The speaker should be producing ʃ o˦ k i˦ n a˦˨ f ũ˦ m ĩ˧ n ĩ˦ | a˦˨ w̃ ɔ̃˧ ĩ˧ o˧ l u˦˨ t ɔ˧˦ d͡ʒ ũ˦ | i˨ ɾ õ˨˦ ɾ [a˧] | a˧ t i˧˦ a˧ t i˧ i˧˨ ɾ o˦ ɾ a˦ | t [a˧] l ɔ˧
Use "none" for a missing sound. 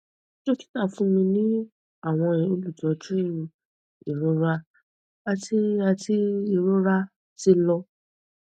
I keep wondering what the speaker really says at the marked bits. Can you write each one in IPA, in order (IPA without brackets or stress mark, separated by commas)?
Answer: a˧, i˧